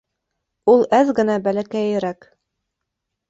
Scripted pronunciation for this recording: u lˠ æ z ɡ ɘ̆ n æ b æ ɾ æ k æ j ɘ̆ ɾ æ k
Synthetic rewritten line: u lˠ æ z ɡ ɘ̆ n æ b æ l æ k æ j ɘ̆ ɾ æ k

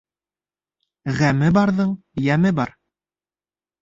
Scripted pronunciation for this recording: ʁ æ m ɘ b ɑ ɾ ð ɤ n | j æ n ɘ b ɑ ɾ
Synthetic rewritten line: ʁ æ m ɘ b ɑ ɾ ð ɤ ɴ | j æ m ɘ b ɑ ɾ

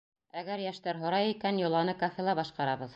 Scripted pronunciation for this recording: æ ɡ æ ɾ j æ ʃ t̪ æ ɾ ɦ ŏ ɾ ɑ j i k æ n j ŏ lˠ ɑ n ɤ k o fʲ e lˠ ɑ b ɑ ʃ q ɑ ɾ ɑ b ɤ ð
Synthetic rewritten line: æ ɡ æ ɾ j æ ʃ t̪ æ ɾ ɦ ŏ ɾ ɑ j i k æ n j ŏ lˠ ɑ n ɤ k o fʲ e lˠ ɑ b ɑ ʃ q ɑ ɾ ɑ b ɤ ð

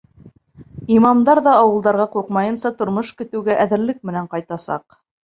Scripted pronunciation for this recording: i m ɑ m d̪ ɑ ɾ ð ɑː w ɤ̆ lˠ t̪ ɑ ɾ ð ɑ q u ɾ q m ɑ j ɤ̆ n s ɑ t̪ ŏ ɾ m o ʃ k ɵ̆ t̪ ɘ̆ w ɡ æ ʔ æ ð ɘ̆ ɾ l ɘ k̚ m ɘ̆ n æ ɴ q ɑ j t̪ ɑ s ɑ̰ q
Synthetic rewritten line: i m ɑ m d̪ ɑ ɾ ð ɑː w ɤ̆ lˠ d̪ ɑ ɾ ʁ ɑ q u ɾ q m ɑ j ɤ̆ n s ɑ t̪ ŏ ɾ m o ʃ k ɵ̆ t̪ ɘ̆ w ɡ æ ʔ æ ð ɘ̆ ɾ l ɘ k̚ m ɘ̆ n æ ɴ q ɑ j t̪ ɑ s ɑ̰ q

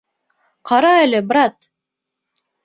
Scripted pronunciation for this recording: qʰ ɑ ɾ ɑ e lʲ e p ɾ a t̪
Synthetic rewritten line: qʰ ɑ ɾ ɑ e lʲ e b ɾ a t̪

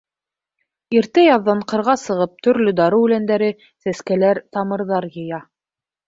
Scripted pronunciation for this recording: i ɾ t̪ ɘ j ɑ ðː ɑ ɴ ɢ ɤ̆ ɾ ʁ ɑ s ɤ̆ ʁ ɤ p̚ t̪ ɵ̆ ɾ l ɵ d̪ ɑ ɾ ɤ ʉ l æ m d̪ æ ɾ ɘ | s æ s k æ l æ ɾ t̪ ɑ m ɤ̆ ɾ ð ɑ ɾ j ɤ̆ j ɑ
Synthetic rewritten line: i ɾ t̪ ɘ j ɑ ðː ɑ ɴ q ɤ̆ ɾ ʁ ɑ s ɤ̆ ʁ ɤ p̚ t̪ ɵ̆ ɾ l ɵ d̪ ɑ ɾ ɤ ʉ l æ n d̪ æ ɾ ɘ | s æ s k æ l æ ɾ t̪ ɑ m ɤ̆ ɾ ð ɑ ɾ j ɤ̆ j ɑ

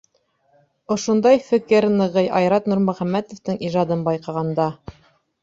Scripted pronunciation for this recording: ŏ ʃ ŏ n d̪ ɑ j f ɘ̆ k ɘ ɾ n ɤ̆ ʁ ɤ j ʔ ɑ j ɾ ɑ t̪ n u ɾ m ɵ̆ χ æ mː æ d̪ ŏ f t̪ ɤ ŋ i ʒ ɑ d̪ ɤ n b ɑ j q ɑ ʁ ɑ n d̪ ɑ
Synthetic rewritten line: ŏ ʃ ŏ n d̪ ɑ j f ɘ̆ k ɘ ɾ n ɤ̆ ʁ ɤ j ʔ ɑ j ɾ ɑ t̪ n u ɾ m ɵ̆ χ æ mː æ t̪ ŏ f t̪ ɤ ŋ i ʒ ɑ d̪ ɤ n b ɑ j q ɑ ʁ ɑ n d̪ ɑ

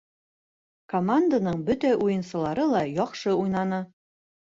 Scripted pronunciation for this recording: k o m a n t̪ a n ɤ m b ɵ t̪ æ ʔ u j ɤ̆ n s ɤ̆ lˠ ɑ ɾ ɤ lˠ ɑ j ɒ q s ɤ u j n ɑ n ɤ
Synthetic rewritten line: k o m a n d̪ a n ɤ ɴ b ɵ t̪ æ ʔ u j ɤ̆ n s ɤ̆ lˠ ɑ ɾ ɤ lˠ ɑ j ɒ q ʃ ɤ u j n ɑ n ɤ

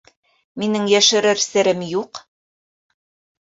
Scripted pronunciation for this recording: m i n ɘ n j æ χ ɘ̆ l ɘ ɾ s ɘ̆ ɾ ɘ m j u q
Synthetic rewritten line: m i n ɘ ŋ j æ ʃ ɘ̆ ɾ ɘ ɾ s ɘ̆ ɾ ɘ m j u q

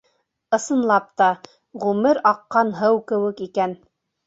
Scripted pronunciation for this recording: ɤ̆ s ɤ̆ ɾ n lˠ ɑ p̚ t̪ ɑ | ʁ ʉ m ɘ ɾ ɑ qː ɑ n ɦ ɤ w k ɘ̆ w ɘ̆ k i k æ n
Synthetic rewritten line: ɤ̆ s ɤ̆ n lˠ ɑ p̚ t̪ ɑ | ʁ ʉ m ɘ ɾ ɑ qː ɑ n ɦ ɤ w k ɘ̆ w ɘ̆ k i k æ n

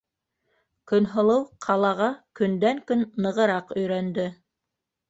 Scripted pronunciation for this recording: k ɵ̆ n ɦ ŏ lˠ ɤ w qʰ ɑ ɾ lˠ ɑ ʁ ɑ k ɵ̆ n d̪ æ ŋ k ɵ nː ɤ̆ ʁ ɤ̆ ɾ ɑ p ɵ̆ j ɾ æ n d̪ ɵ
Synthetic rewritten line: k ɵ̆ n ɦ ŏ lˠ ɤ w qʰ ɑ lˠ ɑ ʁ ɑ k ɵ̆ n d̪ æ ŋ k ɵ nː ɤ̆ ʁ ɤ̆ ɾ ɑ q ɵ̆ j ɾ æ n d̪ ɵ

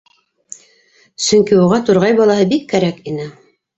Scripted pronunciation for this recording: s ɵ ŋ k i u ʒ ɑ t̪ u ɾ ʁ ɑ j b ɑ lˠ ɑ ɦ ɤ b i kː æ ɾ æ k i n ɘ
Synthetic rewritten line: s ɵ ŋ k i u ʁ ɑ t̪ u ɾ ʁ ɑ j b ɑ lˠ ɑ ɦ ɤ b i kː æ ɾ æ k i n ɘ

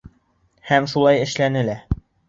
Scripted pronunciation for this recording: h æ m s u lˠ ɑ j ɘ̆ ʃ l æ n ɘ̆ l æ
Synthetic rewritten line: h æ m ʃ u lˠ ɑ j ɘ̆ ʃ l æ n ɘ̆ l æ

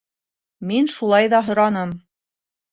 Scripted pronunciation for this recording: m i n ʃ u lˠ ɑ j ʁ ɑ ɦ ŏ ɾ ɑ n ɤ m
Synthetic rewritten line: m i n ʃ u lˠ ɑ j ð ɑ ɦ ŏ ɾ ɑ n ɤ m

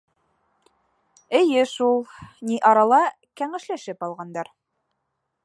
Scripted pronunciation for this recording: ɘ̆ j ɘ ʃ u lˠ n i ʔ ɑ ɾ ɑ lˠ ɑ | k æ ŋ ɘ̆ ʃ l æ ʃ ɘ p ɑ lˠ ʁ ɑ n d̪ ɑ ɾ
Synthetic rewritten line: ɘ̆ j ɘ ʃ u lˠ n i ʔ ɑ ɾ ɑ lˠ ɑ | k æ ŋ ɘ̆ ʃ l æ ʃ ɘ p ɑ lˠ ʁ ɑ n d̪ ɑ ɾ

